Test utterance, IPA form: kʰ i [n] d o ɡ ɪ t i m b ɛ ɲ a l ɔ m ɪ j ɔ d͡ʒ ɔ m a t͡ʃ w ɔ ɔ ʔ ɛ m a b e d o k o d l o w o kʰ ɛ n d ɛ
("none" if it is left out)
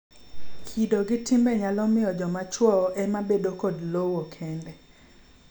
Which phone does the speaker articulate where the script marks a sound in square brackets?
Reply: none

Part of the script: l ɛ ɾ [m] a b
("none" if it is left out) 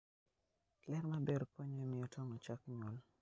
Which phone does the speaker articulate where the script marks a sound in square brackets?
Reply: m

